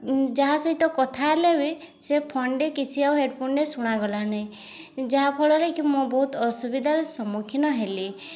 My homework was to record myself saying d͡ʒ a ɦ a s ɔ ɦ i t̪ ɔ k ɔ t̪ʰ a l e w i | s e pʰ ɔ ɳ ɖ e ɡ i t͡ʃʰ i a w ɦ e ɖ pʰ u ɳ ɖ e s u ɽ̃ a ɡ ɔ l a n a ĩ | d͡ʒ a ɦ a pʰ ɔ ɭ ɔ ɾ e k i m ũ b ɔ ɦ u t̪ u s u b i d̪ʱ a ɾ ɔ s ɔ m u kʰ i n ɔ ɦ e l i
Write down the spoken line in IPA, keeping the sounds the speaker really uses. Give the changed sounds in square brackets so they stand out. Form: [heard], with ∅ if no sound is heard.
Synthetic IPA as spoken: d͡ʒ a ɦ a s ɔ ɦ i t̪ ɔ k ɔ t̪ʰ a l e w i | s e pʰ ɔ ɳ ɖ e [k] i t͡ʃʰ i a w ɦ e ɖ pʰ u ɳ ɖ e s u ɽ̃ a ɡ ɔ l a n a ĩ | d͡ʒ a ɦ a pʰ ɔ ɭ ɔ ɾ e k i m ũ b ɔ ɦ u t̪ [ɔ] s u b i d̪ʱ a ɾ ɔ s ɔ m u kʰ i n ɔ ɦ e l i